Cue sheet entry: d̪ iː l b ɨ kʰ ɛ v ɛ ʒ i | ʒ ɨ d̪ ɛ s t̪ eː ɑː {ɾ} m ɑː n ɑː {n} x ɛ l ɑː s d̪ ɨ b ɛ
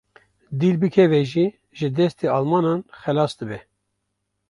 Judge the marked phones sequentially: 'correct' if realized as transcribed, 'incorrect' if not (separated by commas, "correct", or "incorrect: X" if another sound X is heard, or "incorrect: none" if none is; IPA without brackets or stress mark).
incorrect: l, correct